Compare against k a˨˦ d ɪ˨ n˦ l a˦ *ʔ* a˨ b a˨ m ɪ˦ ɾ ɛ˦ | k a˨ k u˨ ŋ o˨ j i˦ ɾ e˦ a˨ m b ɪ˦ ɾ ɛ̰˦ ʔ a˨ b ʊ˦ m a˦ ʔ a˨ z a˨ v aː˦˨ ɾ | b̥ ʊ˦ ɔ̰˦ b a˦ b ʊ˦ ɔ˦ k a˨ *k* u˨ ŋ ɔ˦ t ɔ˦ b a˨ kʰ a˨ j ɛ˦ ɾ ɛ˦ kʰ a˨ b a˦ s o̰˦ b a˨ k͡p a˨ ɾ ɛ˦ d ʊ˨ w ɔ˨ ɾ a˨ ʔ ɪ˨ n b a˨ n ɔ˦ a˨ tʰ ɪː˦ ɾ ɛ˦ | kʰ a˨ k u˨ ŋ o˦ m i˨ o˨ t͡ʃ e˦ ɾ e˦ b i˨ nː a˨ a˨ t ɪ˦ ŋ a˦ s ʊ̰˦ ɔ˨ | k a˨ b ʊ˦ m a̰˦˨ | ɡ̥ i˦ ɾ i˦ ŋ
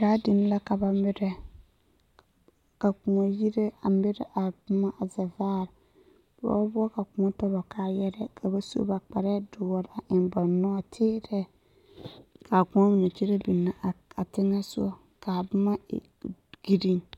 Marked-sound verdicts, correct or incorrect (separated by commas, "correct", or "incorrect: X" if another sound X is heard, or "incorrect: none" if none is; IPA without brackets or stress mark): incorrect: k, correct